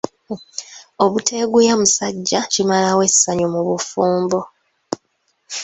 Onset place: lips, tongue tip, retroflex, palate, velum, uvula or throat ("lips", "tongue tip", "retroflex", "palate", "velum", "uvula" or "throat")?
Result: lips